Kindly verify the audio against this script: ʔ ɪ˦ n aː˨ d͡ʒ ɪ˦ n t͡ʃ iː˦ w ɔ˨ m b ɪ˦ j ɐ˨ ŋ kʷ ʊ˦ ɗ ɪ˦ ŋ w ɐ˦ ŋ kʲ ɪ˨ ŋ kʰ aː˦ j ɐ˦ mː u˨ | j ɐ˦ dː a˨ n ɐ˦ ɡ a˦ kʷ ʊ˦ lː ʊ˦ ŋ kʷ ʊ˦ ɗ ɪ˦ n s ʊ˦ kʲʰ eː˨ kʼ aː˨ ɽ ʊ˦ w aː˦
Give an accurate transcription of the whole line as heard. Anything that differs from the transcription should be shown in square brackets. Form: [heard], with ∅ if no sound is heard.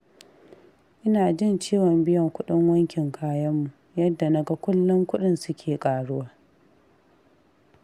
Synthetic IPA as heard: ʔ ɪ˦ n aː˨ d͡ʒ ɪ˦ n t͡ʃ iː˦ w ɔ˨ m b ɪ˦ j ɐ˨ ŋ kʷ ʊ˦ ɗ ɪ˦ ŋ w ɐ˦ ŋ kʲ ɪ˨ ŋ kʰ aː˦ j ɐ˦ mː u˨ | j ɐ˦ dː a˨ n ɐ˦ ɡ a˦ kʷ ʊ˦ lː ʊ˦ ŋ kʷ ʊ˦ ɗ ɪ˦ n s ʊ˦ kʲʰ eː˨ kʼ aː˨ ɽ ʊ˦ w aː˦